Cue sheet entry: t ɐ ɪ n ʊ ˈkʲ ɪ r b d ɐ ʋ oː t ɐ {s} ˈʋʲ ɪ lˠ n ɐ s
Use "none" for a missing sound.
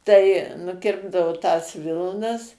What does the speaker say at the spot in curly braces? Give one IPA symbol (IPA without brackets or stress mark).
s